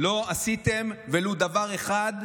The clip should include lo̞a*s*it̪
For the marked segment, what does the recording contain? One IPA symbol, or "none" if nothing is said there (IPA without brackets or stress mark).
s